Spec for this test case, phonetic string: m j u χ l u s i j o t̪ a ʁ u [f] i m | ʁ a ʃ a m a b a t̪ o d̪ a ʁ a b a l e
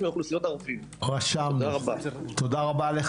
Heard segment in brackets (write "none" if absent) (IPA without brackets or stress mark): f